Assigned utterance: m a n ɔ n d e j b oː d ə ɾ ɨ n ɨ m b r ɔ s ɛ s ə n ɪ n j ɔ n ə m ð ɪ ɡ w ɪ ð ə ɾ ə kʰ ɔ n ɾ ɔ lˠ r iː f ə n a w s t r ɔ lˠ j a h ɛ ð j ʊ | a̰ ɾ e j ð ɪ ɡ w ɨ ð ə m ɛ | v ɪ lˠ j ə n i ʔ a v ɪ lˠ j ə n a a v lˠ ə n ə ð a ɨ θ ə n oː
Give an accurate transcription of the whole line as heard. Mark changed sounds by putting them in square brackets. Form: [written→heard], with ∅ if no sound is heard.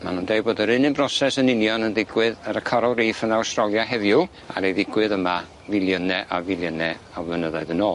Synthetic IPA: m a n [ɔ→u] n d e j b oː d ə ɾ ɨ n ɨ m b r ɔ s ɛ s ə n ɪ n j ɔ n ə [m→n] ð ɪ ɡ w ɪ ð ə ɾ ə kʰ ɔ [n→∅] ɾ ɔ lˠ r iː f ə n a w s t r ɔ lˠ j a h ɛ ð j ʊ | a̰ ɾ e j ð ɪ ɡ w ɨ ð ə m [ɛ→a] | v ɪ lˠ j ə n [i→ɛ] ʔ a v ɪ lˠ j ə n [a→ɛ] a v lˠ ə n ə ð a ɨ [θ→ð] ə n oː